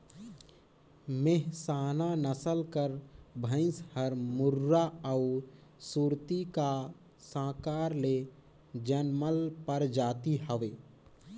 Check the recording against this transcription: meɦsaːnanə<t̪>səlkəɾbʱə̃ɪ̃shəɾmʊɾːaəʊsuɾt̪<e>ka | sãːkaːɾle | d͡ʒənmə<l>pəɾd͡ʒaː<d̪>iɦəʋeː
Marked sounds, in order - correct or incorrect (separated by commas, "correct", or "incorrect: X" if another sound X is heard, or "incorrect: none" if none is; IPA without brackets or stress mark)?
incorrect: none, incorrect: i, correct, incorrect: t̪